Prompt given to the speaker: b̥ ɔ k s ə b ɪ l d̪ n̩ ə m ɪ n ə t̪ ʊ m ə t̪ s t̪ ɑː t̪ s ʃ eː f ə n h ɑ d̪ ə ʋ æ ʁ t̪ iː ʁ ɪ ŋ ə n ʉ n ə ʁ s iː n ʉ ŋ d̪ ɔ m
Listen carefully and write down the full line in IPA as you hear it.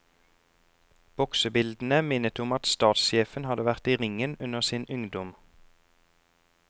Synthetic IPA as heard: b̥ ɔ k s ə b ɪ l d̪ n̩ ə m ɪ n ə t̪ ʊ m ɑ t̪ s t̪ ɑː t̪ s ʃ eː f ə n h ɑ d̪ ə ʋ æ ʁ t̪ iː ʁ ɪ ŋ ə n ʉ n ə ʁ s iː n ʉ ŋ d̪ ɔ m